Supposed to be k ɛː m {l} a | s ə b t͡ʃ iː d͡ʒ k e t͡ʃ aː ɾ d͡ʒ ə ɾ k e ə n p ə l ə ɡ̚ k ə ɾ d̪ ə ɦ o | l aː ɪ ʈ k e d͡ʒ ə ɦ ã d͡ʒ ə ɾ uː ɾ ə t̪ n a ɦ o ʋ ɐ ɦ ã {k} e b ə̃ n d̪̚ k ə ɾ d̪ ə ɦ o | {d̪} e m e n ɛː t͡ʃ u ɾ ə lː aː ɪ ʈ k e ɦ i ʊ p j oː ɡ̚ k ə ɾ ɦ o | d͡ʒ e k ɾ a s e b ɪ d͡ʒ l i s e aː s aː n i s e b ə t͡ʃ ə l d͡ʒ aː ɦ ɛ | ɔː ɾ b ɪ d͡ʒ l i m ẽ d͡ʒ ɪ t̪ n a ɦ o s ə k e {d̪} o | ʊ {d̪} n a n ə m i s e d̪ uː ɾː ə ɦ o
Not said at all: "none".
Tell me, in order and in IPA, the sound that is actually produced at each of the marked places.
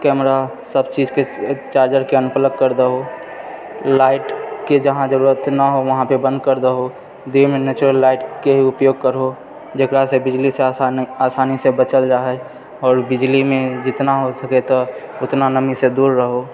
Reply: ɾ, p, d̪, t̪, t̪

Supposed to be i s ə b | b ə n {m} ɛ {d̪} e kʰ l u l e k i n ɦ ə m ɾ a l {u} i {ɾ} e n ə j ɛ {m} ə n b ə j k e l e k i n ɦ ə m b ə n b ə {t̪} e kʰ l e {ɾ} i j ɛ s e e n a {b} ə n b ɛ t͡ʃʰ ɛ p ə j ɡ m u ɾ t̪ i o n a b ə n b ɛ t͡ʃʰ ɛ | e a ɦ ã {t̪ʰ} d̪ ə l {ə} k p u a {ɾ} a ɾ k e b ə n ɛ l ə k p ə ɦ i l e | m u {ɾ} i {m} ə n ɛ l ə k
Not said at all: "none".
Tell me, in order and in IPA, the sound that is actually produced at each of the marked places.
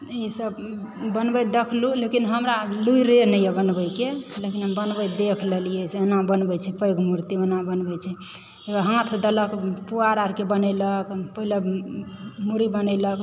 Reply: b, d̪, u, ɾ, b, d̪, l, b, t̪ʰ, ə, ɾ, ɾ, b

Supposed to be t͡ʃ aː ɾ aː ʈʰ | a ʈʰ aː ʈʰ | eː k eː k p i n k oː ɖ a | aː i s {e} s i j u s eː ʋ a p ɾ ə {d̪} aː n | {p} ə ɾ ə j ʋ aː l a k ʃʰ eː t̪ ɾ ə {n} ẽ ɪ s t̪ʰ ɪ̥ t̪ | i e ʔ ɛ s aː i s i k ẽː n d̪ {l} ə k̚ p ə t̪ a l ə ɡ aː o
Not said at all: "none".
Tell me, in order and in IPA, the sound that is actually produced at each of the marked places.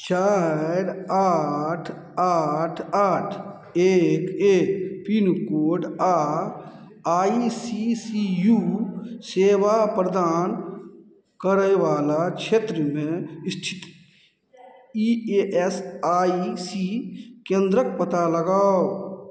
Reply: i, d̪, k, m, ɾ

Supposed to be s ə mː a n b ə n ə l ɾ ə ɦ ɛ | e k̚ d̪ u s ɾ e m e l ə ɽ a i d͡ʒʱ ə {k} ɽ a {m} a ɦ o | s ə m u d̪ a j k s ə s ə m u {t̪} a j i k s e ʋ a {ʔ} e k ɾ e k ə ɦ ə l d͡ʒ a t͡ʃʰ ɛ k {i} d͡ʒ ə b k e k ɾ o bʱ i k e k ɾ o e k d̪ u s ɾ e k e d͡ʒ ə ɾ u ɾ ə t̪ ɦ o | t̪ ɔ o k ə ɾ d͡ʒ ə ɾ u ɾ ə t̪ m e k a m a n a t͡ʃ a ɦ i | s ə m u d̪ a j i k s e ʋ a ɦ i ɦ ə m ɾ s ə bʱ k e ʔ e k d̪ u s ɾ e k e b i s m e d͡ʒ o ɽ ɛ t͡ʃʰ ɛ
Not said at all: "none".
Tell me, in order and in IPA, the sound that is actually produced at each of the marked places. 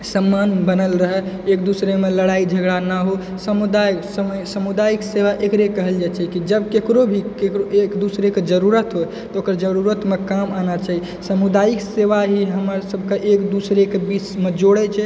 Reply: ɡ, n, d̪, ʔ, i

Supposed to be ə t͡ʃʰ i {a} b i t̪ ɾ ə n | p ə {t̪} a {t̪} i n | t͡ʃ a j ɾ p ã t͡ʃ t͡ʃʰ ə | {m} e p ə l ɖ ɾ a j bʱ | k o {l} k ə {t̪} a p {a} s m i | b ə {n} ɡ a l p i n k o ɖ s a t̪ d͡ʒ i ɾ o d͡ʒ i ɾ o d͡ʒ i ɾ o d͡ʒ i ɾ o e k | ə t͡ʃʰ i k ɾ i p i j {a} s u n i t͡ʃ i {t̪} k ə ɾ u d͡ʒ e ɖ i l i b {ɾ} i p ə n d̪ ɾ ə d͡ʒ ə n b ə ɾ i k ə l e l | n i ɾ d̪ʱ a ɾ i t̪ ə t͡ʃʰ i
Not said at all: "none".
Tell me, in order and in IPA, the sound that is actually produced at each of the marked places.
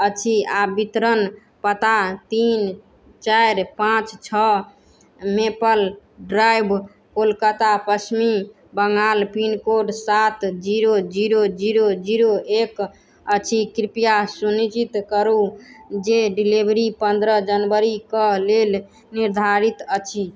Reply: a, t̪, t̪, m, l, t̪, ə, ŋ, a, t̪, ɾ

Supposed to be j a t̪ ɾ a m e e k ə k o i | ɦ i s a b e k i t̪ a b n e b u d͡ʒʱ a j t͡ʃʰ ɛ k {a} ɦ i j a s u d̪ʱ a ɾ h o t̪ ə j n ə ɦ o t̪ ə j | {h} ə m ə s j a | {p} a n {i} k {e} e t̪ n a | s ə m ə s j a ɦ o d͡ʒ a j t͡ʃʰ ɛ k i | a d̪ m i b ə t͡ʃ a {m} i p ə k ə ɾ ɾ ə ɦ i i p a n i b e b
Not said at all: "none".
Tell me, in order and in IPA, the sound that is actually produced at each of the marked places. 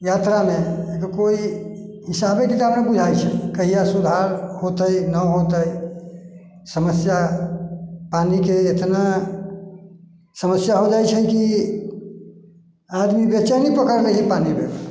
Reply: ə, s, p, i, e, n

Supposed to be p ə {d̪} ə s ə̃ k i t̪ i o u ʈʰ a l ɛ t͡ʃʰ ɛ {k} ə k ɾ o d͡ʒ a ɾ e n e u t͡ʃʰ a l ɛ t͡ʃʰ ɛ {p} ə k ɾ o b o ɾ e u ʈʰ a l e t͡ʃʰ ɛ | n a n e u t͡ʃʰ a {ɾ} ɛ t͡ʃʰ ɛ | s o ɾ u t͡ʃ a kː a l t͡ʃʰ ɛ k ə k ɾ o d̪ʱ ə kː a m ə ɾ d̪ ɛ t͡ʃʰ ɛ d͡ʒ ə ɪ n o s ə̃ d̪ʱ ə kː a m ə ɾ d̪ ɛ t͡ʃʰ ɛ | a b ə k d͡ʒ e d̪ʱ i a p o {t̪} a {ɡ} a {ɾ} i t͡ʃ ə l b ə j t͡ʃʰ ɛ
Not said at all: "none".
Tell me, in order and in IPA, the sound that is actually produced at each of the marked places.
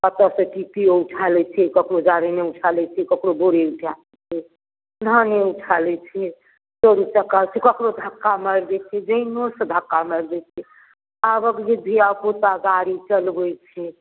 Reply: t̪, k, k, l, t̪, ɡ, ɾ

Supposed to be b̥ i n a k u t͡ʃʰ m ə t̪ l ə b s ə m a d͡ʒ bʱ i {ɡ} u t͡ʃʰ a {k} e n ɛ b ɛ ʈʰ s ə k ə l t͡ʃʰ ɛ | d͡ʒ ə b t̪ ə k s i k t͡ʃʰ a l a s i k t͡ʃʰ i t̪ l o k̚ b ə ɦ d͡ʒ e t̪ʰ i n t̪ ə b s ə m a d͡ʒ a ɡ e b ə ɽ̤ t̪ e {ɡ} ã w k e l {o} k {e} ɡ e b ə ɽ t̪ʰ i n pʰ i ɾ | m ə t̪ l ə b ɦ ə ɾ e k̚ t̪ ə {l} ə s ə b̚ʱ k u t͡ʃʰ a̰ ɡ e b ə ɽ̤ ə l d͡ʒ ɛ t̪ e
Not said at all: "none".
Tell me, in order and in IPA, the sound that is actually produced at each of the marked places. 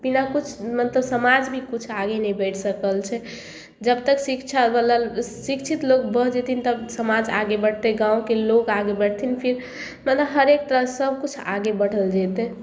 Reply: k, ɡ, ɡ, o, a, ɾ

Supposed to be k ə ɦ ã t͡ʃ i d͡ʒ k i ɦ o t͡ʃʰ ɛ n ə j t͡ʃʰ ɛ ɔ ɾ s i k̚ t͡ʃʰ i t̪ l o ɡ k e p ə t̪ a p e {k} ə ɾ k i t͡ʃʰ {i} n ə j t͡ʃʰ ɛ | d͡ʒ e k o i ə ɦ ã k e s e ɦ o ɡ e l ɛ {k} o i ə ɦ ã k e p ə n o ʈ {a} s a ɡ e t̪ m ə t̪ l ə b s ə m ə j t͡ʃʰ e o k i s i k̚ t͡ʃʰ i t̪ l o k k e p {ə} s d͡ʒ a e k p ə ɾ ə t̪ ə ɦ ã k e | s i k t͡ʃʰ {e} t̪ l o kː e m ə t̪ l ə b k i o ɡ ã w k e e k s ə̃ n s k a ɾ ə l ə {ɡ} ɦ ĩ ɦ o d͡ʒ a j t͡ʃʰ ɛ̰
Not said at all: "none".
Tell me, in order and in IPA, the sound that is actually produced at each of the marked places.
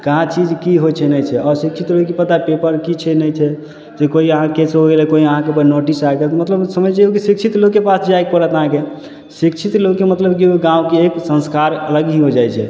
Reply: p, ɛ, k, i, a, i, ɡ

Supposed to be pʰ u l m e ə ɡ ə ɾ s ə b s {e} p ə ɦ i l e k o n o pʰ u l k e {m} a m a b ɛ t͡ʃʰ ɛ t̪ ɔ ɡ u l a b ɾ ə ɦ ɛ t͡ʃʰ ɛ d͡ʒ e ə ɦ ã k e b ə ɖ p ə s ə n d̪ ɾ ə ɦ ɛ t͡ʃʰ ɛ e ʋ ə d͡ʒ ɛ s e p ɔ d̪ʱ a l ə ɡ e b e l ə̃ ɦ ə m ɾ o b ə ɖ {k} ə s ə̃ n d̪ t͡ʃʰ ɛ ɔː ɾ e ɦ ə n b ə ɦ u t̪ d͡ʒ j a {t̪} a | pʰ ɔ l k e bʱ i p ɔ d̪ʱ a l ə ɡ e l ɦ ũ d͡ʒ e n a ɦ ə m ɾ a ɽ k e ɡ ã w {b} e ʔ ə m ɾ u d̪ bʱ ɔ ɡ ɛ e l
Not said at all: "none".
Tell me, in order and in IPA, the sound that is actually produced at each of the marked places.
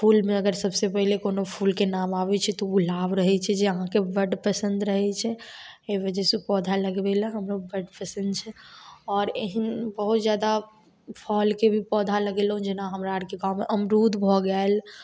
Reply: e, n, p, d̪, m

